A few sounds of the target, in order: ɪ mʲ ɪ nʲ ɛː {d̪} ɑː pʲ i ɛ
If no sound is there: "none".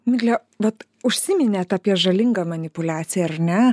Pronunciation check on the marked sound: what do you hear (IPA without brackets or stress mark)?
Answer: t̪